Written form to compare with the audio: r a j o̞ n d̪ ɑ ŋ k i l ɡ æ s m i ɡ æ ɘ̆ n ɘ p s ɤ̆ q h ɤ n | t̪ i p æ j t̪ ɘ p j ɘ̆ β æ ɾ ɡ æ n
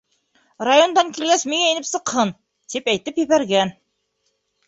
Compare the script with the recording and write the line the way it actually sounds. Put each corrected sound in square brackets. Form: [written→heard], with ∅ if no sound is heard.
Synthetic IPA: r a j o̞ n d̪ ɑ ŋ k i l ɡ æ s m i [ɡ→ŋ] æ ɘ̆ n ɘ p s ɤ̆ q h ɤ n | t̪ i p æ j t̪ ɘ p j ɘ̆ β æ ɾ ɡ æ n

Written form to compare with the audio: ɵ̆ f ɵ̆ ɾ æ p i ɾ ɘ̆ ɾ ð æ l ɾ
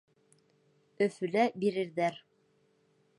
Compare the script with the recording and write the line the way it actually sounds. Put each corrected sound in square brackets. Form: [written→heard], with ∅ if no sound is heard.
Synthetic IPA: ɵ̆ f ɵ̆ [ɾ→l] æ [p→b] i ɾ ɘ̆ ɾ ð æ [l→∅] ɾ

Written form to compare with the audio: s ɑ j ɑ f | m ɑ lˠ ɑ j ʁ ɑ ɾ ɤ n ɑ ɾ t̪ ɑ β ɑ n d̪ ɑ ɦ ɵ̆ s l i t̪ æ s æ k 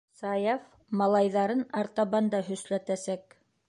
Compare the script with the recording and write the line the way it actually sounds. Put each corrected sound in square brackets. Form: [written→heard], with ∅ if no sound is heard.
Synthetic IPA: s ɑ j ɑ f | m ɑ lˠ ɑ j [ʁ→ð] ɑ ɾ ɤ n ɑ ɾ t̪ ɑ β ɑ n d̪ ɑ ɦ ɵ̆ s l [i→æ] t̪ æ s æ k

